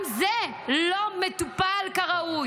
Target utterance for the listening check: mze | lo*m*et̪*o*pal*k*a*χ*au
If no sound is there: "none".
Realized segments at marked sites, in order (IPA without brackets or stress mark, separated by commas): m, u, k, ʁ